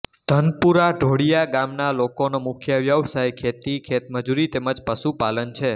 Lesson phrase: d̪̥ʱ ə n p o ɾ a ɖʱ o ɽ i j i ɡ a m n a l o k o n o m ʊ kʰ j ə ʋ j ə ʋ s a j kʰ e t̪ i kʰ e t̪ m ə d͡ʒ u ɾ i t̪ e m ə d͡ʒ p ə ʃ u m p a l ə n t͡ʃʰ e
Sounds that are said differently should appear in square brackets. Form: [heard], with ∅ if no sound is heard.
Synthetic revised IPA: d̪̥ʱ ə n p [u] ɾ a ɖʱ o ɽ i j [a] ɡ a m n a l o k o n o m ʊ kʰ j ə ʋ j ə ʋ s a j kʰ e t̪ i kʰ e t̪ m ə d͡ʒ u ɾ i t̪ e m ə d͡ʒ p ə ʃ u [∅] p a l ə n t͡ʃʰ e